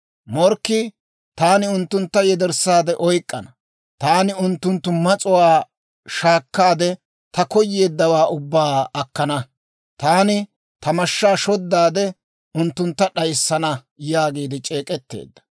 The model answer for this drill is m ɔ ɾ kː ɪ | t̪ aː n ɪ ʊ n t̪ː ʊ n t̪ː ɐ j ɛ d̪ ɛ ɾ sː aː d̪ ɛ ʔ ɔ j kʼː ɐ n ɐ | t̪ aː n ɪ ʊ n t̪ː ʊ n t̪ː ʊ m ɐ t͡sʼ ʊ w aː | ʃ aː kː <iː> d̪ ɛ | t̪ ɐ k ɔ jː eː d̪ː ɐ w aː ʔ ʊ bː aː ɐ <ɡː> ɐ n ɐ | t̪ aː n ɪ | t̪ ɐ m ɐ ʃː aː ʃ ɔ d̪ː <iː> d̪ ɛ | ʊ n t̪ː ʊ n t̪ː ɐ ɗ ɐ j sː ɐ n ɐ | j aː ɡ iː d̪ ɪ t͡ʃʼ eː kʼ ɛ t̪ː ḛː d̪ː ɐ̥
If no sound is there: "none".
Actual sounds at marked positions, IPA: aː, kː, aː

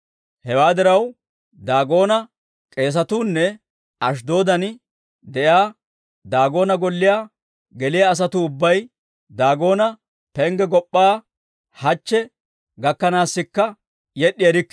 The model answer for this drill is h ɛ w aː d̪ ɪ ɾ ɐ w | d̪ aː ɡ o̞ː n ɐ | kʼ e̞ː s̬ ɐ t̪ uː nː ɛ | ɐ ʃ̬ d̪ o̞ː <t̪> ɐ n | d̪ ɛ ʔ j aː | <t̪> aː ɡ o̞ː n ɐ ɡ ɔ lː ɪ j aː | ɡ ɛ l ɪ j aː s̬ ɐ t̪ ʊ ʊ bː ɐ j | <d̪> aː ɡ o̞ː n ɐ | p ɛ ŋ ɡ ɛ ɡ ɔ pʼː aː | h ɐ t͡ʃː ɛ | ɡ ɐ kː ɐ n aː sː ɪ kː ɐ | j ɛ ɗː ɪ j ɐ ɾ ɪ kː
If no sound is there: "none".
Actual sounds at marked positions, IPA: d̪, d̪, d̪

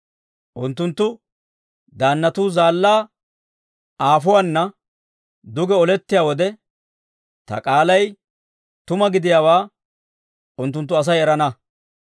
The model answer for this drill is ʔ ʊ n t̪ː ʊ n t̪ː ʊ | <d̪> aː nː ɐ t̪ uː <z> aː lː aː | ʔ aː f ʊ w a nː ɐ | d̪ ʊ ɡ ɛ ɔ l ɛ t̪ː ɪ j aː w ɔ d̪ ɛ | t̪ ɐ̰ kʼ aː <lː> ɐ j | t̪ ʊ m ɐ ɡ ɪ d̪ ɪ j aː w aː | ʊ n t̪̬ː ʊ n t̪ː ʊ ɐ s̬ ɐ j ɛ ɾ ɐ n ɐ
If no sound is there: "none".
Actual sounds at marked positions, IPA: d̪, z, l

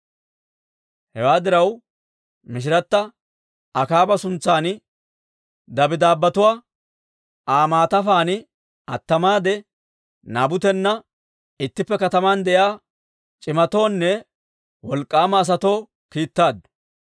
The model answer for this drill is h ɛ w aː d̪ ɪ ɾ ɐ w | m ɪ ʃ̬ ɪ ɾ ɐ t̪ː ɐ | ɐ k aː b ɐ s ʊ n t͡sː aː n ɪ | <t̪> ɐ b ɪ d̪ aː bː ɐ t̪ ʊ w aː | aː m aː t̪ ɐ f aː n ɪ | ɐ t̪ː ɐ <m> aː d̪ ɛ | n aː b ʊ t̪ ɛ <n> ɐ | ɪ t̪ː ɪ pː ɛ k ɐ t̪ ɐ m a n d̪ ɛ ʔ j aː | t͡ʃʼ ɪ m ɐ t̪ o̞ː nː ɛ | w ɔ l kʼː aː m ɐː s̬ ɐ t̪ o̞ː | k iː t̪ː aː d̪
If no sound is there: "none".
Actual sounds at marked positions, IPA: d̪, m, nː

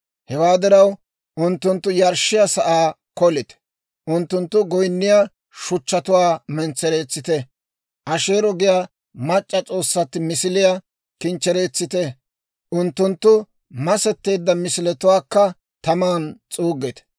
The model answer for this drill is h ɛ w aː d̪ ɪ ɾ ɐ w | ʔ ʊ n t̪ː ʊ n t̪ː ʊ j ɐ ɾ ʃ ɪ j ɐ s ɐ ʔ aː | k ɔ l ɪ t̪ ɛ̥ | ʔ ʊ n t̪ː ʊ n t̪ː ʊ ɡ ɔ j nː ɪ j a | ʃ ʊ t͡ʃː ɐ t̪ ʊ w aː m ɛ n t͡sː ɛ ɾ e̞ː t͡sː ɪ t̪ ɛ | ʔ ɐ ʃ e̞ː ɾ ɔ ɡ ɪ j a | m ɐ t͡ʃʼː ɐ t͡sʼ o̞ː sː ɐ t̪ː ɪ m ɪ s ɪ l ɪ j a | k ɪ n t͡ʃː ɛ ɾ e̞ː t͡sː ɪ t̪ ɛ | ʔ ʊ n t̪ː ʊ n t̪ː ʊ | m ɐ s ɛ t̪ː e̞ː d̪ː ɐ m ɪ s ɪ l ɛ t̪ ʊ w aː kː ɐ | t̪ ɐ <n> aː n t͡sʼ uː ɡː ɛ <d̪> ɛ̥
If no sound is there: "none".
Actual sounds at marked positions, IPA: m, t̪

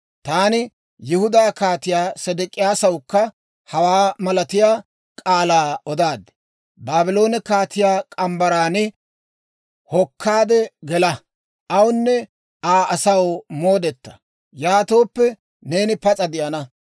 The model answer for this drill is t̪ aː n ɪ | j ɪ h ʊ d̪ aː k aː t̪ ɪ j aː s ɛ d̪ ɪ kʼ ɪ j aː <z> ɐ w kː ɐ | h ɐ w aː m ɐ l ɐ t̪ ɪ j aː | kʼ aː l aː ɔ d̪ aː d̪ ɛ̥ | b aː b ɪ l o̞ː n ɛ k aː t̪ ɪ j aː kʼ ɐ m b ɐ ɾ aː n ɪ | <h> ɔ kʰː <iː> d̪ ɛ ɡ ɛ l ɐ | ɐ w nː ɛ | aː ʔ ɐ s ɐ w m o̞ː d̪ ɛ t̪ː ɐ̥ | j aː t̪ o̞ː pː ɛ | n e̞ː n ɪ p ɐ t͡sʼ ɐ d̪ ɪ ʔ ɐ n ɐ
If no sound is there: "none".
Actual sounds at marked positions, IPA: s, h, aː

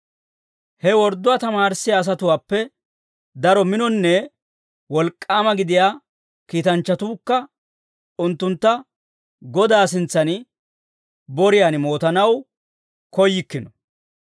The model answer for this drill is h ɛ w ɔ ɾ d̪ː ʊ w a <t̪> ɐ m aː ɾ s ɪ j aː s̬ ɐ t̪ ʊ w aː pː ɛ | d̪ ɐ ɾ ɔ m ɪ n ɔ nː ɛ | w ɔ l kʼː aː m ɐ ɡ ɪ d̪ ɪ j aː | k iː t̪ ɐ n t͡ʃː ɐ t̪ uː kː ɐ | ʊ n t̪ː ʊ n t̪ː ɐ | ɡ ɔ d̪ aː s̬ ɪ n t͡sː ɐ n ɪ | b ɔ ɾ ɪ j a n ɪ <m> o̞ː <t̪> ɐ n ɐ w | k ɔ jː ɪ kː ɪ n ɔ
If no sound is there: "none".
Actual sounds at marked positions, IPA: t̪, m, t̪

